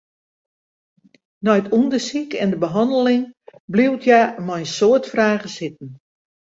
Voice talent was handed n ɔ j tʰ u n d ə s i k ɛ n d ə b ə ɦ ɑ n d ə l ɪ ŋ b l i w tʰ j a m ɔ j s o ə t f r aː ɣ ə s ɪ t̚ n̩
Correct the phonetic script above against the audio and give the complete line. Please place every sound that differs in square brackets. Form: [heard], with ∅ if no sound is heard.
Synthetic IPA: n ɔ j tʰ u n d ə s i k ɛ n d ə b ə ɦ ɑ n d ə l ɪ ŋ b l i w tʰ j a m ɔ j s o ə t f r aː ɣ ə s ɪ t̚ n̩